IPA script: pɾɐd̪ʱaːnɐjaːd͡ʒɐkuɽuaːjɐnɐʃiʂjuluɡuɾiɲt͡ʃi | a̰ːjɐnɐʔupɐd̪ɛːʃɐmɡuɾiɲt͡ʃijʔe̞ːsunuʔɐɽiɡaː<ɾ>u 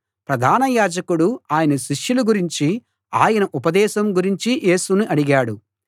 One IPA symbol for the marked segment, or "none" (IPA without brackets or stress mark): ɽ